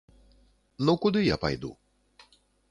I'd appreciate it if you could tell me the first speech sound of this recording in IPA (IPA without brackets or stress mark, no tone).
n